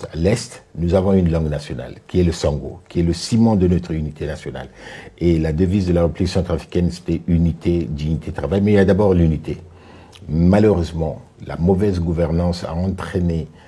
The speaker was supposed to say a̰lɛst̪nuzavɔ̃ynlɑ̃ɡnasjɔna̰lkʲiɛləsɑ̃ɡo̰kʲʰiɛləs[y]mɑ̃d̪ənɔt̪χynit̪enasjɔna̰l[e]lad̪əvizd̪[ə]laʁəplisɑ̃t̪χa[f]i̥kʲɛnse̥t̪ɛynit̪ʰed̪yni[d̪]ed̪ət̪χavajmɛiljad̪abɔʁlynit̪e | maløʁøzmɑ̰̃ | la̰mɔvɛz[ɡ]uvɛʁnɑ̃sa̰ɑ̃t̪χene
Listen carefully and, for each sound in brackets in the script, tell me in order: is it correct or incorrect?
incorrect: i, correct, correct, correct, incorrect: t̪, correct

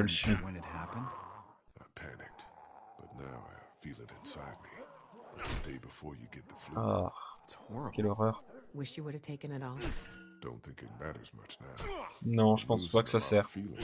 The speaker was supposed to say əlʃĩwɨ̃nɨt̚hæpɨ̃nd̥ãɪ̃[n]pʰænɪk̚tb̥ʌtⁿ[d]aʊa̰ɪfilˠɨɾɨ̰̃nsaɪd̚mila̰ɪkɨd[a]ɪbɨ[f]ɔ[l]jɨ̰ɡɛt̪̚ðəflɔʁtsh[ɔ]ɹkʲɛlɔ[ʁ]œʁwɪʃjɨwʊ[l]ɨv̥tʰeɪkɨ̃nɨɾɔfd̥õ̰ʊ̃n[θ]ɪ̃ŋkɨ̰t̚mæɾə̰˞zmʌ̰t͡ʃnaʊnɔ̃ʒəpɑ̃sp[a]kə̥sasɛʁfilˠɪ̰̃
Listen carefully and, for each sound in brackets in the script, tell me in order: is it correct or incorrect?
incorrect: m, incorrect: n, incorrect: e, correct, incorrect: ɹ, correct, correct, incorrect: ɾ, correct, correct

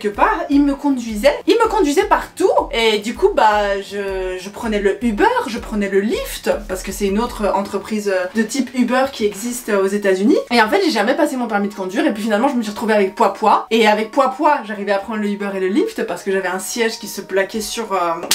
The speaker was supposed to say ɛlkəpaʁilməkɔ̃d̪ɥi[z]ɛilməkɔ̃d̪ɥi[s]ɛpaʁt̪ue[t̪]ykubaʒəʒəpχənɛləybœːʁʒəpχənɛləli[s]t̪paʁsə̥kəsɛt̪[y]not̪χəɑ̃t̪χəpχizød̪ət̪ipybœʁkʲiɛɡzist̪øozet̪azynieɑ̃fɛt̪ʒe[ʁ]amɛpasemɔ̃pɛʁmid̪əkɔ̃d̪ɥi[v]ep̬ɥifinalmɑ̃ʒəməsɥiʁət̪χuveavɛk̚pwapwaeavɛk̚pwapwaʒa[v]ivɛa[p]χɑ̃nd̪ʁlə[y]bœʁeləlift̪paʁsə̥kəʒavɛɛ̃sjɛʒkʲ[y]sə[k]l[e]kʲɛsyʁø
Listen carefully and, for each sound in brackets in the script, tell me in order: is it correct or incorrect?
correct, incorrect: z, incorrect: d̪, incorrect: f, correct, incorrect: ʒ, incorrect: ʁ, incorrect: ʁ, correct, correct, incorrect: i, incorrect: p, incorrect: a

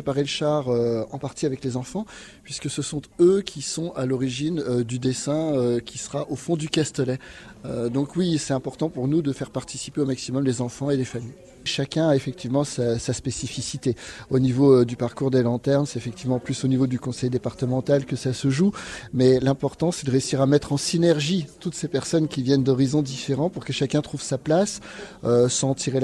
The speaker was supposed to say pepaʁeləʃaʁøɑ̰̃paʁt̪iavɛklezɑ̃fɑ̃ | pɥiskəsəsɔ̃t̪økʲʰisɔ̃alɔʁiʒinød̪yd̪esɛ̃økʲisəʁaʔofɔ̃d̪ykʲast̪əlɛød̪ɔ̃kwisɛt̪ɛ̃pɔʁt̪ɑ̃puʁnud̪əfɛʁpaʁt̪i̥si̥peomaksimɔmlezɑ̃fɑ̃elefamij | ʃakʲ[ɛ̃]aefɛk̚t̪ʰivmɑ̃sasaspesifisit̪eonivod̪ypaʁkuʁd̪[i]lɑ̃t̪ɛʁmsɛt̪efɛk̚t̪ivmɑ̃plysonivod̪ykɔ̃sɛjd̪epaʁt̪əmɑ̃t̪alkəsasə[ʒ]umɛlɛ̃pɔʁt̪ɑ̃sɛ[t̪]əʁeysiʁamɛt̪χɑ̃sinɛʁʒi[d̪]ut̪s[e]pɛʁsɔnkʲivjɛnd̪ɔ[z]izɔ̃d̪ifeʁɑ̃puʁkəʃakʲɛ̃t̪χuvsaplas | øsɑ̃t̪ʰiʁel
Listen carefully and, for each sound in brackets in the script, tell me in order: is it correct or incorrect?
correct, incorrect: e, correct, incorrect: d̪, incorrect: t̪, correct, incorrect: ʁ

